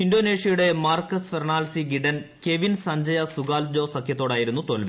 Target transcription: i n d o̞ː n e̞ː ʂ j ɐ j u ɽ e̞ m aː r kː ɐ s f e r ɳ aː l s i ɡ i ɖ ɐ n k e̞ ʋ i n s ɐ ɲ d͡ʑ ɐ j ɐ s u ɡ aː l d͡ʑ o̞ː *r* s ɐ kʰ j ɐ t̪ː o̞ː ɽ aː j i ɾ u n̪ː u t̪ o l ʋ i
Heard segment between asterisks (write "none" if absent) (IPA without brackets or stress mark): none